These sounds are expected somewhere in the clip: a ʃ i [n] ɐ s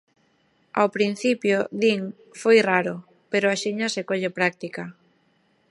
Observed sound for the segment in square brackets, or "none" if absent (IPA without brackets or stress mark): ɲ